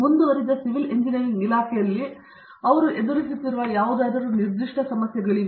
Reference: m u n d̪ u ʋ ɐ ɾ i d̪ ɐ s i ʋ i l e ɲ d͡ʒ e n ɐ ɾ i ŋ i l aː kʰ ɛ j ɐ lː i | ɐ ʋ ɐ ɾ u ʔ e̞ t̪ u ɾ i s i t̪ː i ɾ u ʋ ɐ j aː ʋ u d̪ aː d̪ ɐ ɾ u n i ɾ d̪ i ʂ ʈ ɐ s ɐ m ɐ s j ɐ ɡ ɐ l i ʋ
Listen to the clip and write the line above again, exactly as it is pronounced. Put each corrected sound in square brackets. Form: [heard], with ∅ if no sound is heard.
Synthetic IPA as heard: m u n d̪ u ʋ ɐ ɾ i d̪ ɐ s i ʋ i l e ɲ d͡ʒ [i] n ɐ ɾ i ŋ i l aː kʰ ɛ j ɐ lː i | ɐ ʋ ɐ ɾ u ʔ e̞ [d̪] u ɾ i s i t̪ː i ɾ u ʋ ɐ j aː ʋ u d̪ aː d̪ ɐ ɾ u n i ɾ d̪ i ʂ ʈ ɐ s ɐ m ɐ s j ɐ ɡ ɐ [ɭ] i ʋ

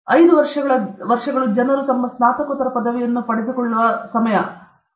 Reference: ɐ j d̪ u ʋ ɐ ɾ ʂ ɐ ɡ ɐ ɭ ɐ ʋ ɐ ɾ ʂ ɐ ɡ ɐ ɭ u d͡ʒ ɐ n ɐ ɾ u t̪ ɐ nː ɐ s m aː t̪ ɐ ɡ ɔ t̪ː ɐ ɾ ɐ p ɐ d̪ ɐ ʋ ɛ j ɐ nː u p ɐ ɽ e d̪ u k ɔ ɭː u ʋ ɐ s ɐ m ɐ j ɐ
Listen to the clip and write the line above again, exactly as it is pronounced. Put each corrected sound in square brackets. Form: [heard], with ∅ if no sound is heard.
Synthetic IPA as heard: ɐ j d̪ u ʋ ɐ ɾ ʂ ɐ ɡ ɐ ɭ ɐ ʋ ɐ ɾ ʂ ɐ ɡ ɐ ɭ u d͡ʒ ɐ n ɐ ɾ u t̪ ɐ [mː] ɐ s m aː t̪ ɐ [k] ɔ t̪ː ɐ ɾ ɐ p ɐ d̪ ɐ ʋ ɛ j ɐ nː u p ɐ ɽ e d̪ u k ɔ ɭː u ʋ ɐ s ɐ m ɐ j ɐ

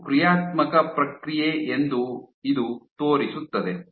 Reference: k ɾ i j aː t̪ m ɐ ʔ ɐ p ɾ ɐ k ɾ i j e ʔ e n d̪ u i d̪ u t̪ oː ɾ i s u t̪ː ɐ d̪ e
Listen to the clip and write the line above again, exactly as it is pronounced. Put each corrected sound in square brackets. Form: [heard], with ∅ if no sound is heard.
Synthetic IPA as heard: k ɾ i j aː t̪ m ɐ [k] ɐ p ɾ ɐ k ɾ i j e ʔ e n d̪ u i d̪ u t̪ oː ɾ i s u t̪ː ɐ d̪ e

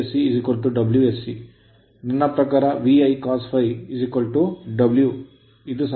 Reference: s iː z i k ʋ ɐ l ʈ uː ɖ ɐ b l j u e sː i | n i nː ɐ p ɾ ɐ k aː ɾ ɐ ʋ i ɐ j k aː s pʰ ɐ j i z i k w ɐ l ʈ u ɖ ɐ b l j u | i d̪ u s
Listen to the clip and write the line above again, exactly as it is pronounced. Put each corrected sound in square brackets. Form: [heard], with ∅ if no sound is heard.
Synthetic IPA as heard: s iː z i k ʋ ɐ l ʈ [u] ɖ ɐ b l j u e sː i | n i nː ɐ p ɾ ɐ k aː ɾ ɐ ʋ i ɐ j k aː s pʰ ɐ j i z i k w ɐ l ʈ u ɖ ɐ b l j u | i d̪ u s

